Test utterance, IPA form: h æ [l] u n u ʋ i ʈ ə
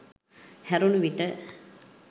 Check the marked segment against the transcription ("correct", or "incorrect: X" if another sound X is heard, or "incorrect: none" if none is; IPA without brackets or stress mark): incorrect: ɾ